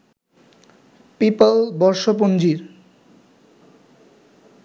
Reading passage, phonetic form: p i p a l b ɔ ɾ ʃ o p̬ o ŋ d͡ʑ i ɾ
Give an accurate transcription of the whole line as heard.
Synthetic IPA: p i p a l b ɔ ɾ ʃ o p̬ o n d͡ʑ i ɾ